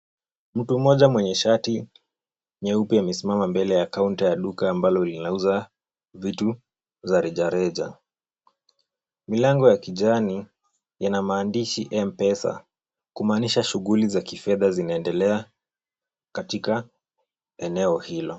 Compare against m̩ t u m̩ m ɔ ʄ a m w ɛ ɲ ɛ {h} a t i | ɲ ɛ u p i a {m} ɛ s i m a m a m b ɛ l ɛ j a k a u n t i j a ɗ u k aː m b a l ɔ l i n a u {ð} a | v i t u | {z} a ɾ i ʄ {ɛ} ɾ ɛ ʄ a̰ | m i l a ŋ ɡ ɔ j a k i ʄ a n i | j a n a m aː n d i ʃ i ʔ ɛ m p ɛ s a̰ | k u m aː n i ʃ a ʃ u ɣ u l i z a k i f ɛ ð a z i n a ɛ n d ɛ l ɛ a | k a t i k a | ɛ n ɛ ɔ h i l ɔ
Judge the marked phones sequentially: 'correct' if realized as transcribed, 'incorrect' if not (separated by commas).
incorrect, correct, incorrect, correct, incorrect